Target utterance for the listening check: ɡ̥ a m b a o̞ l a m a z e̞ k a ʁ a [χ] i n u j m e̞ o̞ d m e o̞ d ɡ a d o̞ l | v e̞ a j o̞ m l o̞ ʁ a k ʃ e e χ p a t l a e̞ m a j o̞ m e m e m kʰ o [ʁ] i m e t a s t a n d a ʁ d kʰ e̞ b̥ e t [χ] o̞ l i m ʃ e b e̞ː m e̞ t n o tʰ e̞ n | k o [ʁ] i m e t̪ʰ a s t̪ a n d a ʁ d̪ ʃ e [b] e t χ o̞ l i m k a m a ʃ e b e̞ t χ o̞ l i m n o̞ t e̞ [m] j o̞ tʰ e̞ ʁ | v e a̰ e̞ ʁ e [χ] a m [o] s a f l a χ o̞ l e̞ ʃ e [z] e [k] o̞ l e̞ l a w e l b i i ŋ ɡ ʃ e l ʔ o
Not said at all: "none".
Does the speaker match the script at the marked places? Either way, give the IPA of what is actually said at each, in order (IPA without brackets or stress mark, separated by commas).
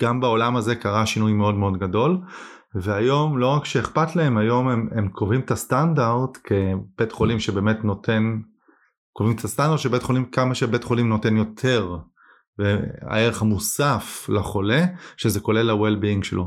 ʃ, v, χ, v, b, n, χ, u, z, k